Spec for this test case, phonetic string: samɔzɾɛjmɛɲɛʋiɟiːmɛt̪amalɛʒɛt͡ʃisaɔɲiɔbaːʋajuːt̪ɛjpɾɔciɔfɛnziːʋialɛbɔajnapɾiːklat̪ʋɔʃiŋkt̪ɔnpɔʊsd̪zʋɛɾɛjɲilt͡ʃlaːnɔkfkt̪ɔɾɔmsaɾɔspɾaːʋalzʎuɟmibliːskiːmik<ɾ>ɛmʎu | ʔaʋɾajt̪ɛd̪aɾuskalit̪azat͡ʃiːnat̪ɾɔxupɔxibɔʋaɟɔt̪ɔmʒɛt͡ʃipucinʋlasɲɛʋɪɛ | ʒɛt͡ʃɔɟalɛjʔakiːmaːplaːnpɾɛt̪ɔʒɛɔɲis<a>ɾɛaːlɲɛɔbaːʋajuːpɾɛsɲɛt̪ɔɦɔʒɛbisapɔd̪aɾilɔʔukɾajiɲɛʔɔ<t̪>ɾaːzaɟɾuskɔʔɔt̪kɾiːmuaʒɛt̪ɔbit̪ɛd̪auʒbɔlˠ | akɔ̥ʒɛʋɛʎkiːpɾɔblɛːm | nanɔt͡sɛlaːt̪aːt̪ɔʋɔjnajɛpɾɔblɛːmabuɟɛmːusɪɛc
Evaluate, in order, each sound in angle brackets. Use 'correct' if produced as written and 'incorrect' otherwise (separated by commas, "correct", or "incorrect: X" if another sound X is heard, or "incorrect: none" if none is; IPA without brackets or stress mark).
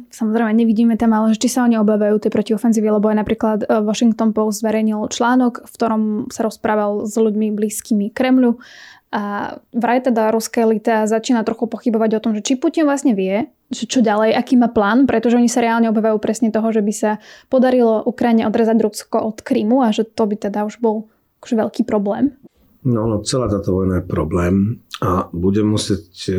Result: correct, correct, incorrect: d̪